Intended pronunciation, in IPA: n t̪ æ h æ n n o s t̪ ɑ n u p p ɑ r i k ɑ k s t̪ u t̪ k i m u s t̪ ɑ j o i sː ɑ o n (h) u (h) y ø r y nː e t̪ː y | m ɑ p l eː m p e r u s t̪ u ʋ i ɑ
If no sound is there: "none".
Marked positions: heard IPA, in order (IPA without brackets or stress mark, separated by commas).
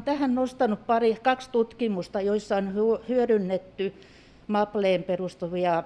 h, h